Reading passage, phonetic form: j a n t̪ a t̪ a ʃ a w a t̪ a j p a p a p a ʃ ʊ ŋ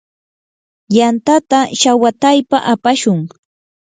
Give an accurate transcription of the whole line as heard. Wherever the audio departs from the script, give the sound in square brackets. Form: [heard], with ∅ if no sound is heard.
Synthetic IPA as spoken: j a n t̪ a t̪ a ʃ a w a t̪ a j p a [ʔ] a p a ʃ ʊ ŋ